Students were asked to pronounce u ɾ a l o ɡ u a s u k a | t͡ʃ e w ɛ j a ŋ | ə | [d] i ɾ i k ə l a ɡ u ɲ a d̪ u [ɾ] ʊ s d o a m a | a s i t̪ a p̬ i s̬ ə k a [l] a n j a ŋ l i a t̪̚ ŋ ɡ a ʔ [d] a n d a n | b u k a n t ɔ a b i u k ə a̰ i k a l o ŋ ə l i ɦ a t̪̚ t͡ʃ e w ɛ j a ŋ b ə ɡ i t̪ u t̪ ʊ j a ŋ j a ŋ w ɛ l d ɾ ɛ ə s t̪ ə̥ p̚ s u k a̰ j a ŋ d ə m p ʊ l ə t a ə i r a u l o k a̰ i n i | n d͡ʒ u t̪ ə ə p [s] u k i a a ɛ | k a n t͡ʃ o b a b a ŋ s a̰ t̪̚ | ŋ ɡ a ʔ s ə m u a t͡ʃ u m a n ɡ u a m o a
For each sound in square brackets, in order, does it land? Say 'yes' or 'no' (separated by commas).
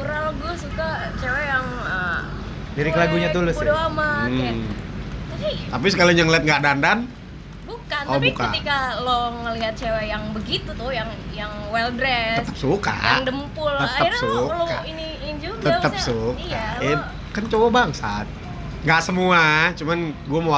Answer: yes, no, yes, yes, yes